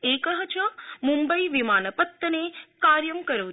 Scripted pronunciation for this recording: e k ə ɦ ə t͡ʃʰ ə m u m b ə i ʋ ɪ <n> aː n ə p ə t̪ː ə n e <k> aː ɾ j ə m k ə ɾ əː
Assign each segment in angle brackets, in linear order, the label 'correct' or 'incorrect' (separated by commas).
incorrect, correct